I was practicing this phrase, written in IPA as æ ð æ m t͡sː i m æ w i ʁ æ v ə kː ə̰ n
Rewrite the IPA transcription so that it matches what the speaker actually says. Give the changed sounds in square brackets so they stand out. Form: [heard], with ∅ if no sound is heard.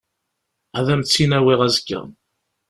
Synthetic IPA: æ ð æ m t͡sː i [n] æ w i ʁ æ [z] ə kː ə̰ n